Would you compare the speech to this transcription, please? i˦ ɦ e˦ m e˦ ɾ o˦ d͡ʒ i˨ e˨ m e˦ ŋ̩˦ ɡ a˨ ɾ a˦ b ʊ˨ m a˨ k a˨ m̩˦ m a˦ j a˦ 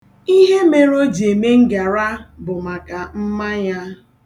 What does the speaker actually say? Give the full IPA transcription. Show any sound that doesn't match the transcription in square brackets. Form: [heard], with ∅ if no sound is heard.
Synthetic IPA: i˦ ɦ e˦ m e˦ ɾ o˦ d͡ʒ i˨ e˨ m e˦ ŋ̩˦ ɡ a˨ ɾ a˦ b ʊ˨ m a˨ k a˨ m̩˦ m a˦ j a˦